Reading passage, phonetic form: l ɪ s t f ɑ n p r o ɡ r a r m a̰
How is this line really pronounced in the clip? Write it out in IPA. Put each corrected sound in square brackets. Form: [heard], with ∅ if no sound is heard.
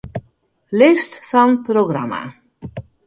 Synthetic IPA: l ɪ s t f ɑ n p r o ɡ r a [∅] m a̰